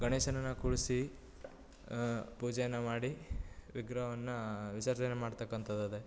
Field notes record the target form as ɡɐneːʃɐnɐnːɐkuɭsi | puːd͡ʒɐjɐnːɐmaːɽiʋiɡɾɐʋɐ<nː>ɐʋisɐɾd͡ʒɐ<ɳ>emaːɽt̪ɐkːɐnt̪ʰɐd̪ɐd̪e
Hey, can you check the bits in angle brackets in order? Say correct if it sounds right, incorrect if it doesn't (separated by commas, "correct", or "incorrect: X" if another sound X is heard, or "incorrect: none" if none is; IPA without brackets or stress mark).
correct, incorrect: n